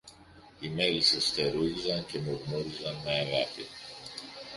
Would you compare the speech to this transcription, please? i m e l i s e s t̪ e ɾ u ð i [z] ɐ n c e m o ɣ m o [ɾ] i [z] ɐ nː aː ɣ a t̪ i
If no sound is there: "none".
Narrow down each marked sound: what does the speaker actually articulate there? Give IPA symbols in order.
z, ɾ, z

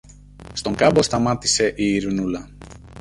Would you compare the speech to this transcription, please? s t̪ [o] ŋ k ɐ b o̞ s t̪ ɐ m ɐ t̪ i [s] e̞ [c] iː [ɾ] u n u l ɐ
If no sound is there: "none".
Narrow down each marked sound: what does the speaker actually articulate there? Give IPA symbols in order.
o, s, ʔ, ɾ

